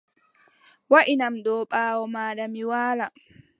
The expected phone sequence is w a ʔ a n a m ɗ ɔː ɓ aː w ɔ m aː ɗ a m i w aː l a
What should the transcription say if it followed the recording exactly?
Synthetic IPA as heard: w a ʔ i n a m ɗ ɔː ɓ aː w ɔ m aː ɗ a m i w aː l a